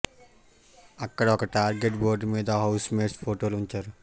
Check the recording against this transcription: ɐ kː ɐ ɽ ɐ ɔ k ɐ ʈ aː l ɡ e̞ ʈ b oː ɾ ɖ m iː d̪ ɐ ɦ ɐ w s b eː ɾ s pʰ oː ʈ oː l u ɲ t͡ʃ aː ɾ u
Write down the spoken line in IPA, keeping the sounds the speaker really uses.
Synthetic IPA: ɐ kː ɐ ɽ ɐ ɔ k ɐ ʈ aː ɾ ɡ e̞ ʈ b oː ɾ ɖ m iː d̪ ɐ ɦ ɐ w s m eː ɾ s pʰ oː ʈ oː l u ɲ t͡ʃ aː ɾ u

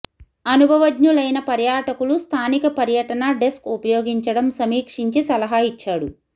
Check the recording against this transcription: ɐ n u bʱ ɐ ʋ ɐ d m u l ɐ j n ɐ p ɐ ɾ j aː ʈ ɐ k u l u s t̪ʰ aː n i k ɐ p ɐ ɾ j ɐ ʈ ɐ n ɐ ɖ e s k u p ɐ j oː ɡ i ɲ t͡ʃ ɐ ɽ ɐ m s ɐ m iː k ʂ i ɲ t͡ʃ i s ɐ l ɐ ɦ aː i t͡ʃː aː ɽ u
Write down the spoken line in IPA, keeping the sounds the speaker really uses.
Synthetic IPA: ɐ n u bʱ ɐ ʋ ɐ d ɲ u l ɐ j n ɐ p ɐ ɾ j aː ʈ ɐ k u l u s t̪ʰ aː n i k ɐ p ɐ ɾ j ɐ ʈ ɐ n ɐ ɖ e s k u p ɐ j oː ɡ i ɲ t͡ʃ ɐ ɽ ɐ m s ɐ m iː k ʂ i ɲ t͡ʃ i s ɐ l ɐ ɦ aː i t͡ʃː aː ɽ u

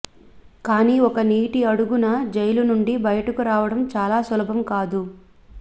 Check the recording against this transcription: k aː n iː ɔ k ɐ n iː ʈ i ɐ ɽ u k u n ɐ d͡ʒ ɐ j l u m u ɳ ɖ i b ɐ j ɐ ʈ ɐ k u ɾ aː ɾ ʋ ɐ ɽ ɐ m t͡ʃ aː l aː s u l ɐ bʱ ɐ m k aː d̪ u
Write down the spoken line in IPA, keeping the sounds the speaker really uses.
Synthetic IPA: k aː n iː ɔ k ɐ n iː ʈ i ɐ ɽ u ɡ u n ɐ d͡ʒ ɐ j l u n u ɳ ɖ i b ɐ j ɐ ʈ ɐ k u ɾ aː ʋ ɐ ɽ ɐ m t͡ʃ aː l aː s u l ɐ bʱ ɐ m k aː d̪ u

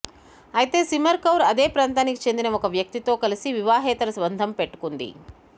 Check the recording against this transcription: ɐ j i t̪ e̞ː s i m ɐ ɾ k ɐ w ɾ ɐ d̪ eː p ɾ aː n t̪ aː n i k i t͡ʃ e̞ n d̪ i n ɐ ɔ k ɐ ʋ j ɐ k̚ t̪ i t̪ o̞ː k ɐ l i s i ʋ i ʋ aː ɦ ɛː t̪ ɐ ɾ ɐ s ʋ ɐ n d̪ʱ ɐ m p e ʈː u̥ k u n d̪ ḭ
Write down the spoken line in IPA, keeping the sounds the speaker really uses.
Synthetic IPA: ɐ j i t̪ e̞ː s i m ɐ ɾ k ɐ w ɾ ɐ d̪ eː p ɾ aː n t̪ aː n i k i t͡ʃ e̞ n d̪ i n ɐ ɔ k ɐ ʋ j ɐ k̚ t̪ i t̪ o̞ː k ɐ l i s i ʋ i ʋ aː ɦ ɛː t̪ ɐ ɾ ɐ s ʋ ɐ n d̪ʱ ɐ m p e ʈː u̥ k u n d̪ ḭ

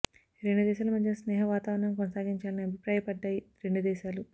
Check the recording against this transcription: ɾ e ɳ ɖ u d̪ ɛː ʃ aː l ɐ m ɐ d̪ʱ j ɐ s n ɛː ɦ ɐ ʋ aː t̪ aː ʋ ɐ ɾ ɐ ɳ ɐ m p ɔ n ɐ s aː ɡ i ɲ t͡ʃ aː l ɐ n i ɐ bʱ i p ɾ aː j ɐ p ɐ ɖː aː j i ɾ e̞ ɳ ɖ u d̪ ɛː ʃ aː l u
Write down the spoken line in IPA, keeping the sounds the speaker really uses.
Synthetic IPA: ɾ e ɳ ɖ u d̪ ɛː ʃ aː l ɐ m ɐ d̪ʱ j ɐ s n ɛː ɦ ɐ ʋ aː t̪ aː ʋ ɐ ɾ ɐ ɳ ɐ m k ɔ n ɐ s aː ɡ i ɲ t͡ʃ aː l ɐ n i ɐ bʱ i p ɾ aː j ɐ p ɐ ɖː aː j i ɾ e̞ ɳ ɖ u d̪ ɛː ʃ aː l u

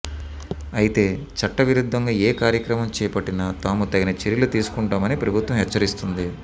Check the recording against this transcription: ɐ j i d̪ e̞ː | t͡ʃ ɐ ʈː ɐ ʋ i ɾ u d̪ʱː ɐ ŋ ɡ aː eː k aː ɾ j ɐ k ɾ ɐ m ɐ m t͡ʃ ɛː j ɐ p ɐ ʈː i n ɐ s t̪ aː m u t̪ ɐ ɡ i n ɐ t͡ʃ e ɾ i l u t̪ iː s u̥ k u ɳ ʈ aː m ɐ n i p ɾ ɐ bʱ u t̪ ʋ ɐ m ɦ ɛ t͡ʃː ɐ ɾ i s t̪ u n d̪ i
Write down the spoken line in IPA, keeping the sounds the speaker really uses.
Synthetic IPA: ɐ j i t̪ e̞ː | t͡ʃ ɐ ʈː ɐ ʋ i ɾ u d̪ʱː ɐ ŋ ɡ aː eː k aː ɾ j ɐ k ɾ ɐ m ɐ m t͡ʃ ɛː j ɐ p ɐ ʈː i n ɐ t̪ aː m u t̪ ɐ ɡ i n ɐ t͡ʃ e ɾ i l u t̪ iː s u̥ k u ɳ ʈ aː m ɐ n i p ɾ ɐ bʱ u t̪ ʋ ɐ m ɦ ɛ t͡ʃː ɐ ɾ i s t̪ u n d̪ i

